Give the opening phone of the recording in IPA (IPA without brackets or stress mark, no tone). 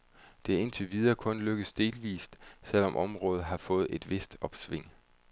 d̥